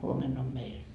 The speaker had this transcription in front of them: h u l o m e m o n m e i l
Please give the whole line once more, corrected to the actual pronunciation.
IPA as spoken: h u o m e n o m m e i l